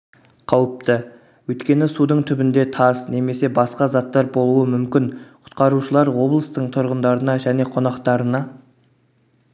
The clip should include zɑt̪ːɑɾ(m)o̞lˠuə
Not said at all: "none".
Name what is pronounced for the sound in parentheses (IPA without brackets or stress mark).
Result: b